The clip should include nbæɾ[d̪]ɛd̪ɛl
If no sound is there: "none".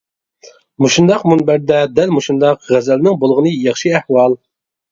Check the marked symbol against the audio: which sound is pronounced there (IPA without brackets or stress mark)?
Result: d̪